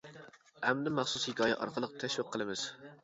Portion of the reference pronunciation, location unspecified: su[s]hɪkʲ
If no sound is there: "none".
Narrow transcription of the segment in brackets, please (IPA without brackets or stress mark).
s